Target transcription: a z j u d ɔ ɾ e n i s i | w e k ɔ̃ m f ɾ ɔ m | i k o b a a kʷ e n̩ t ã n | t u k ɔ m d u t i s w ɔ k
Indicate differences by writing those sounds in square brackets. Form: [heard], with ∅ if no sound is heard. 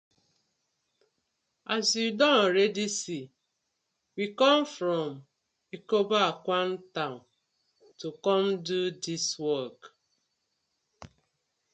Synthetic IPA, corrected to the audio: a z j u d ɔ ɾ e [d] i s i | w [i] k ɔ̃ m f ɾ ɔ m | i k o b a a kʷ [a] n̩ t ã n | t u k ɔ m d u [d] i s w ɔ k